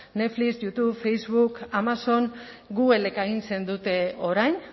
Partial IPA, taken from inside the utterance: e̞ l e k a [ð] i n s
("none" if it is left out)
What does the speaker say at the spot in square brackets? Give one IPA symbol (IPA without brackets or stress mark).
ɣ